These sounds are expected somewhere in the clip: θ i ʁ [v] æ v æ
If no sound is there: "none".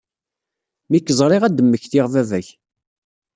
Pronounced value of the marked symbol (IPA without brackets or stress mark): v